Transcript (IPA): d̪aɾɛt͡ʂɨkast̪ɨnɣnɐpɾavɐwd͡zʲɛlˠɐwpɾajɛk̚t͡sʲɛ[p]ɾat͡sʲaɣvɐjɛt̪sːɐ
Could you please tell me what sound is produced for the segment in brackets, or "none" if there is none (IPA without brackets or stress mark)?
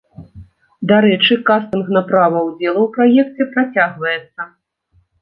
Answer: p